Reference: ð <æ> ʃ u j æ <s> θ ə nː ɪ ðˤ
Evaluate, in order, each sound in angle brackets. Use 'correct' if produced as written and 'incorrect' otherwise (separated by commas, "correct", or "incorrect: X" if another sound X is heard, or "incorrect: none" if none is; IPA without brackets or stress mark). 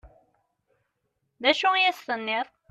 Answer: correct, correct